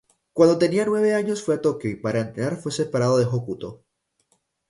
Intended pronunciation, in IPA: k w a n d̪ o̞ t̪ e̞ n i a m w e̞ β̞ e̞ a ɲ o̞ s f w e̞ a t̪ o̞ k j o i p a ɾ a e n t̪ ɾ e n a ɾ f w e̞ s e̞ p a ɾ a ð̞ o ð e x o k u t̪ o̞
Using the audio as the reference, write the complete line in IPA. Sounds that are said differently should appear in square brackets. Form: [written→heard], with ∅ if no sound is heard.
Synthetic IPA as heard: k w a n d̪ o̞ t̪ e̞ n i a [m→n] w e̞ β̞ e̞ a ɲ o̞ s f w e̞ a t̪ o̞ k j o i p a ɾ a e n t̪ ɾ e n a ɾ f w e̞ s e̞ p a ɾ a ð̞ o ð e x o k u t̪ o̞